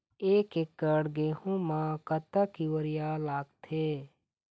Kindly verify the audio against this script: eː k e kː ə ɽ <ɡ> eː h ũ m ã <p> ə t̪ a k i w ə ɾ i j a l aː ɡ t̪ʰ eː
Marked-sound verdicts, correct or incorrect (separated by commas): correct, incorrect